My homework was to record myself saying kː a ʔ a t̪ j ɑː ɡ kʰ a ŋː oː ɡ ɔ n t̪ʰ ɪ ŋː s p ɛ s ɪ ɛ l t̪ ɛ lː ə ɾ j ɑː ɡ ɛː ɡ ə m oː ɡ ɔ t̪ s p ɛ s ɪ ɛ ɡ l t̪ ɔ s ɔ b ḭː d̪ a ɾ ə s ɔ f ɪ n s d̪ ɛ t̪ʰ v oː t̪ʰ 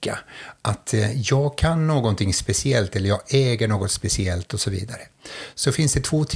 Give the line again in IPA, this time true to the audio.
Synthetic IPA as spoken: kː a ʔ a t̪ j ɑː ɡ kʰ a nː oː ɡ ɔ n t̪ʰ ɪ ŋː s p ɛ s ɪ ɛ l t̪ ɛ lː ə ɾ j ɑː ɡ ɛː ɡ ə ɳ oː ɡ ɔ t̪ s p ɛ s ɪ ɛ l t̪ ɔ s ɔ v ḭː d̪ a ɾ ə s ɔ f ɪ n s d̪ ɛ t̪ʰ v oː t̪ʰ